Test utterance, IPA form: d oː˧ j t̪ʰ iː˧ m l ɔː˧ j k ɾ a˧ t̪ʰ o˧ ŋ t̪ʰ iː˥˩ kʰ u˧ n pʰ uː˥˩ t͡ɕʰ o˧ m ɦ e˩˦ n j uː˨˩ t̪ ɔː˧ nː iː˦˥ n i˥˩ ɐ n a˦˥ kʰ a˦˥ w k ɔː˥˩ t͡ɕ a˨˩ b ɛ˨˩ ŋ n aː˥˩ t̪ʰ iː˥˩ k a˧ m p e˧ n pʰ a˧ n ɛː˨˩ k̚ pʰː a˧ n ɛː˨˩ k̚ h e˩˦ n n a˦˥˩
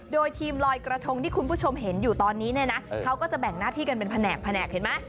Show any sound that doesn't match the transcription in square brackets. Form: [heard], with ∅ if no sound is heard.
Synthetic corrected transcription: d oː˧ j t̪ʰ iː˧ m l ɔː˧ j k ɾ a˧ t̪ʰ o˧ ŋ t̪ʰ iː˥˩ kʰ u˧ n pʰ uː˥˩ t͡ɕʰ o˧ m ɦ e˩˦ n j uː˨˩ t̪ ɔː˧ nː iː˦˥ n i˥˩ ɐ n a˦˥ kʰ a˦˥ w k ɔː˥˩ t͡ɕ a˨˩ b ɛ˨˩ ŋ n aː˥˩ t̪ʰ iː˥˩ k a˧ [n] p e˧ n pʰ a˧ n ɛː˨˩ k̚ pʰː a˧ n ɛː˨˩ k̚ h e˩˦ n [m] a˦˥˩